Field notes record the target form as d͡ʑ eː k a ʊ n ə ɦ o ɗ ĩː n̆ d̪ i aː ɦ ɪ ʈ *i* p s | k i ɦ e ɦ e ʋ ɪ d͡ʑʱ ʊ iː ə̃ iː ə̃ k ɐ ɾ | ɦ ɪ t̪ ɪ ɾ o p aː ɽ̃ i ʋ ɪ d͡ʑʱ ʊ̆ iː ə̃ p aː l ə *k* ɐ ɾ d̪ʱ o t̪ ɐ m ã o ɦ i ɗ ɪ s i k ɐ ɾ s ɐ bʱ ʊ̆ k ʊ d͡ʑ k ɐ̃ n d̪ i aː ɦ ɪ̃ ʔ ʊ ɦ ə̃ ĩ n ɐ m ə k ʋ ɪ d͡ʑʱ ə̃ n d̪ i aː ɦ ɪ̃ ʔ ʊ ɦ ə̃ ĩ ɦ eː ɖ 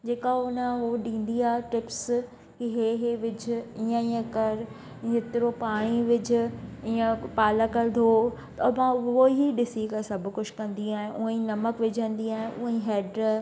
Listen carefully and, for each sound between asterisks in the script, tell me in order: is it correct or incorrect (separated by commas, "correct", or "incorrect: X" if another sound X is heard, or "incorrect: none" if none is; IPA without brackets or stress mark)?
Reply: incorrect: ɪ, correct